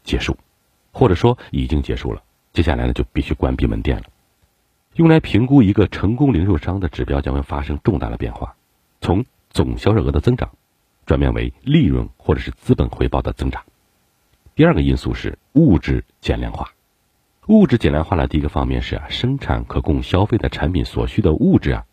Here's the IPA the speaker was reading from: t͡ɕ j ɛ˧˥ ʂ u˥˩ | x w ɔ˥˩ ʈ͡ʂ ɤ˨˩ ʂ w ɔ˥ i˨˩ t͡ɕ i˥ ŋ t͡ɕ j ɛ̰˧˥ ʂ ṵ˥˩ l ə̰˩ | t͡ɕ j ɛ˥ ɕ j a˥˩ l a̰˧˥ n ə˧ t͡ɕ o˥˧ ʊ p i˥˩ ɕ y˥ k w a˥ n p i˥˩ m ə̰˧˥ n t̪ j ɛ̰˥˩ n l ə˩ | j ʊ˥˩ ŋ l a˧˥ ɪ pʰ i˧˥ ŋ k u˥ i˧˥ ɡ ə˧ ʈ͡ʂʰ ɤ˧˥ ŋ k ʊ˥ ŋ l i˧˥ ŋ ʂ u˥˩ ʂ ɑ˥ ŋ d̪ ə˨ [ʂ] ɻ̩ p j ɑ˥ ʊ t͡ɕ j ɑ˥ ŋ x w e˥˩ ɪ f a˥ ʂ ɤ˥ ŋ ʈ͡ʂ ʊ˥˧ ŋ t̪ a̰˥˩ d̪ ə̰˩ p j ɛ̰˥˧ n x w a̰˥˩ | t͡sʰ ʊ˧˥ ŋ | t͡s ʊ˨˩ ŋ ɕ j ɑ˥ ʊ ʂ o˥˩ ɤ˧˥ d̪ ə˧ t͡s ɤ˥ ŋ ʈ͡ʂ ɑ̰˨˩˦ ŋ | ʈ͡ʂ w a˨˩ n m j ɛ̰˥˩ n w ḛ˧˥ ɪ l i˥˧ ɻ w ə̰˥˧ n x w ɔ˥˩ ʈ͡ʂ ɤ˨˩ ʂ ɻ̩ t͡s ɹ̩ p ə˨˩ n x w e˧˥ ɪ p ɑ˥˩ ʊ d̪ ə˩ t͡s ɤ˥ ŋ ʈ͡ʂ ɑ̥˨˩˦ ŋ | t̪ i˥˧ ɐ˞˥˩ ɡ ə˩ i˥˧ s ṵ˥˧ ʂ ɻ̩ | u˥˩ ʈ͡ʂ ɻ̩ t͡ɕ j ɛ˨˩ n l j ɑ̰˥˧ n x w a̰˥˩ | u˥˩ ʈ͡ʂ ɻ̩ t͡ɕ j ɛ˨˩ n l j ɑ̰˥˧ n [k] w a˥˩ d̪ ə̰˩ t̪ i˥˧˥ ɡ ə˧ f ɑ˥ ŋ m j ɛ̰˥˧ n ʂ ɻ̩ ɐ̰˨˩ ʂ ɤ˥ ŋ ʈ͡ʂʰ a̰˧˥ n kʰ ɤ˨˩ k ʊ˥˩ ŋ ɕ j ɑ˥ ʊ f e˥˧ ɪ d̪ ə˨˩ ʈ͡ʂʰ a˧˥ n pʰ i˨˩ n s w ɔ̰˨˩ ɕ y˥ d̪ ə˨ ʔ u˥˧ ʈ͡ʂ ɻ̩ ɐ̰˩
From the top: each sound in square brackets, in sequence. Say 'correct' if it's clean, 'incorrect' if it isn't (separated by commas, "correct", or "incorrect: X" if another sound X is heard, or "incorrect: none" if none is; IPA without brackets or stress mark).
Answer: incorrect: ʈ͡ʂ, incorrect: x